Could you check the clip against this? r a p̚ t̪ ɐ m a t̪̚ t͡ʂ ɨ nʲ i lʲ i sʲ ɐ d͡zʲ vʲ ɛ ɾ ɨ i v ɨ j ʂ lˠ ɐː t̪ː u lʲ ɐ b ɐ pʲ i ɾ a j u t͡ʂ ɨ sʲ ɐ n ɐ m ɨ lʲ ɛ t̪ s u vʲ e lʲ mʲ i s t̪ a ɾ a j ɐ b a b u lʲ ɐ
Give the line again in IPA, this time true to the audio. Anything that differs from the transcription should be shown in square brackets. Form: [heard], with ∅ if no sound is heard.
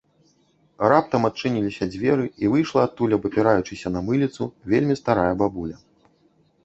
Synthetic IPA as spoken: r a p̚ t̪ ɐ m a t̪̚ t͡ʂ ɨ nʲ i lʲ i sʲ ɐ d͡zʲ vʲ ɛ ɾ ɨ i v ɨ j ʂ lˠ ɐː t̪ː u lʲ ɐ b ɐ pʲ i ɾ a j u t͡ʂ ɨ sʲ ɐ n ɐ m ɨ lʲ [i] t̪ s u vʲ e lʲ mʲ i s t̪ a ɾ a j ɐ b a b u lʲ ɐ